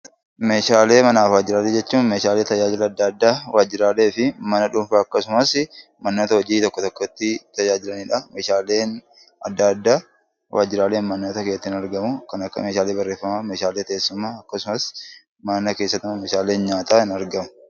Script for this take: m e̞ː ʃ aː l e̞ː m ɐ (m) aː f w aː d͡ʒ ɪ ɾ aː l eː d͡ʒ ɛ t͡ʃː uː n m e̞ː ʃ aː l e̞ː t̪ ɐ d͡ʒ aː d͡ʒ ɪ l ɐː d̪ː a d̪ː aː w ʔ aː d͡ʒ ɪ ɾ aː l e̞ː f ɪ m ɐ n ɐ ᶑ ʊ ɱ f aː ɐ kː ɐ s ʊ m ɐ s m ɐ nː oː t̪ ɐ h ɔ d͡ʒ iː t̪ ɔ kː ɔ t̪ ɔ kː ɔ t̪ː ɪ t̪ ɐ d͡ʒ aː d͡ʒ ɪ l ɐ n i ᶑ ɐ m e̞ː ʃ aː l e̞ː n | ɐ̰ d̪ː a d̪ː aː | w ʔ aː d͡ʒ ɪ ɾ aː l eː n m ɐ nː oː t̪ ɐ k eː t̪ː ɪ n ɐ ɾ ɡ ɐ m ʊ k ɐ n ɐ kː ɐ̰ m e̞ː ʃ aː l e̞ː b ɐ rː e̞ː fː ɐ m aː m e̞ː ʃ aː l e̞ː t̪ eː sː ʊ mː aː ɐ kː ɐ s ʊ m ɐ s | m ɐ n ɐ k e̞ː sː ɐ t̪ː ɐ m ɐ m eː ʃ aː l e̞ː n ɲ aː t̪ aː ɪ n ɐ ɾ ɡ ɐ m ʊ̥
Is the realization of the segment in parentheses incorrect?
yes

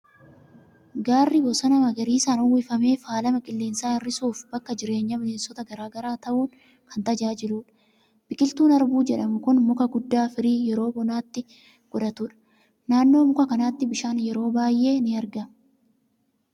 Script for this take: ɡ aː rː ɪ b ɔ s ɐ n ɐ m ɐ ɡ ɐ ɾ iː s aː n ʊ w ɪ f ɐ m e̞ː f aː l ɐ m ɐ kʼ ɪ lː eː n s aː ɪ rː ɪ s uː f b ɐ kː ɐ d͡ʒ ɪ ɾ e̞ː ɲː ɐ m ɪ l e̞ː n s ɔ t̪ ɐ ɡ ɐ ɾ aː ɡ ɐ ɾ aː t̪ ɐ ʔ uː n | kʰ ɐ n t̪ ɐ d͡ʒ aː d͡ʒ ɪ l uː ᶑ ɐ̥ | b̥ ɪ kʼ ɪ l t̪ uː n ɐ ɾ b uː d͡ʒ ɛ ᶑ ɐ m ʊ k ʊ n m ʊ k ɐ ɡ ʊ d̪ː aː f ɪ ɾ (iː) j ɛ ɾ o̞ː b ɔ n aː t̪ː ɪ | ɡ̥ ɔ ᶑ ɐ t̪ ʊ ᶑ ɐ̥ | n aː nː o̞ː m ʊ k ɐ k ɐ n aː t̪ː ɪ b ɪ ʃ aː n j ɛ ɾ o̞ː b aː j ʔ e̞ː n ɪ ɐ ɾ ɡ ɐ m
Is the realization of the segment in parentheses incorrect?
no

